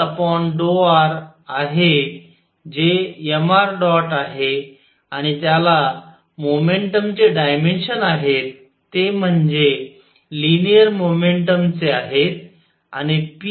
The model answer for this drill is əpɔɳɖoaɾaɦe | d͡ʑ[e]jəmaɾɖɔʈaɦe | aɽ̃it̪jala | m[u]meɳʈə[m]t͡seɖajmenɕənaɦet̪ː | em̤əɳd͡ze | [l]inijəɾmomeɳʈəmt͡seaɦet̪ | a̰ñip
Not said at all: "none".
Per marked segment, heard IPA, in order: e, o, m, l

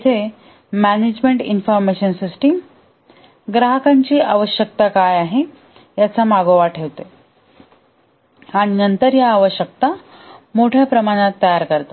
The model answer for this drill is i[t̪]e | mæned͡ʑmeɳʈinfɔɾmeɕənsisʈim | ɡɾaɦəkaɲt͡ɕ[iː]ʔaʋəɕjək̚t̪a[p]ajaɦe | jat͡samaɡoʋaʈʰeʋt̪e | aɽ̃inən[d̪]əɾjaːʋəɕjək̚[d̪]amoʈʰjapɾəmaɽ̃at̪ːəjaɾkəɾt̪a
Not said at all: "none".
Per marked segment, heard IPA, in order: t̪ʰ, iː, k, t̪, t̪

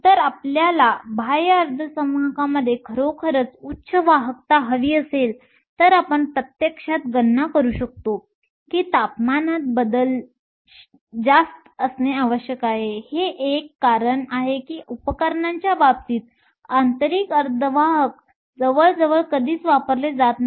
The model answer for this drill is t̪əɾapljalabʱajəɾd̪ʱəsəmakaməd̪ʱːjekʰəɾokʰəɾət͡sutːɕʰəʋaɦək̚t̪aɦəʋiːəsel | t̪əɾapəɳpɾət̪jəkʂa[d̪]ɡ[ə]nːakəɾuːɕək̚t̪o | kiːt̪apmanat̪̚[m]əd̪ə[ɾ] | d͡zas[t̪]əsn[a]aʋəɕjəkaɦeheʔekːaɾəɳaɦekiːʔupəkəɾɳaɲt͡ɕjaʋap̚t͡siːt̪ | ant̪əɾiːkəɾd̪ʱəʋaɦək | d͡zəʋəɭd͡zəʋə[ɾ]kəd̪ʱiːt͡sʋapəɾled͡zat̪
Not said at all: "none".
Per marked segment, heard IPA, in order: t̪, ə, b, l, t̪, e, ɭ

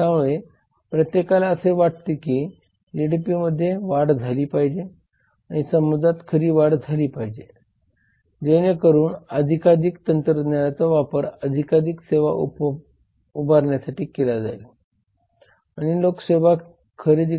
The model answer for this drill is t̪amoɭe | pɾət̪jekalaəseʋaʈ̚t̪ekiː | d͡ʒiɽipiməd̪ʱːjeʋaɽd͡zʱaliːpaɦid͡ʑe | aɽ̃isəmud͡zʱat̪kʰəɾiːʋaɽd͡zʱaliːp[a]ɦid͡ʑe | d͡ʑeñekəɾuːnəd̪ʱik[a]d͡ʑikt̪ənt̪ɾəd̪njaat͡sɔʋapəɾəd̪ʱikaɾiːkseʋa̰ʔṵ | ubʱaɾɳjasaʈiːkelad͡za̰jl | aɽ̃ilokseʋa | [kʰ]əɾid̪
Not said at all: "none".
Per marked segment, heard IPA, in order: a, a, kʰ

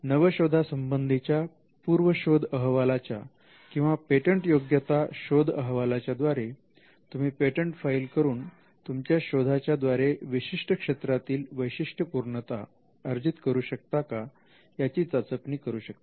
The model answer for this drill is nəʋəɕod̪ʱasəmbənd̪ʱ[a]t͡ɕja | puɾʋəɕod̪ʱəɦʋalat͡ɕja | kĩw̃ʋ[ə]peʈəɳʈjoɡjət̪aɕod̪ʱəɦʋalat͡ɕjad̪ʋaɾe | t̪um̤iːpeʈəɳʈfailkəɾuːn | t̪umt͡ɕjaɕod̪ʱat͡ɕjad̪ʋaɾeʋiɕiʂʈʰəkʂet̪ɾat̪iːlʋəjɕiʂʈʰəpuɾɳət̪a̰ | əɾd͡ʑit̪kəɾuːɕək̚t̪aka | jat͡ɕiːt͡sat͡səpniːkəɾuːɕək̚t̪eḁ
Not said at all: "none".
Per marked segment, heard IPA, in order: i, a

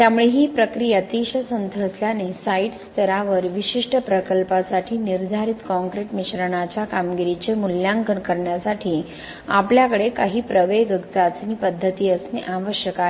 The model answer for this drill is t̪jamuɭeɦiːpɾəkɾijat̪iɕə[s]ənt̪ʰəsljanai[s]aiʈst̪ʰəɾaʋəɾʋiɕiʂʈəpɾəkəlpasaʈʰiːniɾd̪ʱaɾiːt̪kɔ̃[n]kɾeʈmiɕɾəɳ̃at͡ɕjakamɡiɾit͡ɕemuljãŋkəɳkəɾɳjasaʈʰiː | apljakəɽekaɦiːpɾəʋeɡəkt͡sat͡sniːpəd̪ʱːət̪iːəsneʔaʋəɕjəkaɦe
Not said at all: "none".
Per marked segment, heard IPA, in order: s, s, ŋ

